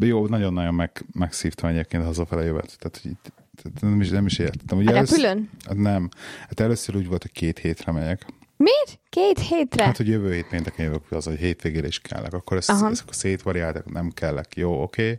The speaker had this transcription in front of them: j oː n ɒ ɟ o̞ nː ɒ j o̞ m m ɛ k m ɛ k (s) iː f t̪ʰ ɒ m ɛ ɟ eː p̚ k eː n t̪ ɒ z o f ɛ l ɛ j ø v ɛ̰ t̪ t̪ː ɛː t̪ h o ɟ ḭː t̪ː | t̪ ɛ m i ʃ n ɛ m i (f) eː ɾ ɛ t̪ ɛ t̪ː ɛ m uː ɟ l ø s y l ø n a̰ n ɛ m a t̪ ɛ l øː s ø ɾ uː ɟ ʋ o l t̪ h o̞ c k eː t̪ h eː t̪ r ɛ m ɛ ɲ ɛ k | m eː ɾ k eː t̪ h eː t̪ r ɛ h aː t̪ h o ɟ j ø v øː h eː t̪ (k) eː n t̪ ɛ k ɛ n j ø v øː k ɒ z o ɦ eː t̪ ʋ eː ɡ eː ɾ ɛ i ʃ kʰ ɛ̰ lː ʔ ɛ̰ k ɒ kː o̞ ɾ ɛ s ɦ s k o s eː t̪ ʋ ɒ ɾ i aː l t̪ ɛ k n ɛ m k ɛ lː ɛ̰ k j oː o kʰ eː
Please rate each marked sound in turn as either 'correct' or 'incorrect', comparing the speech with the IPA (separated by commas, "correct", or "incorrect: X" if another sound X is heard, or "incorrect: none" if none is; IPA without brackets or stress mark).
correct, incorrect: ʃ, incorrect: p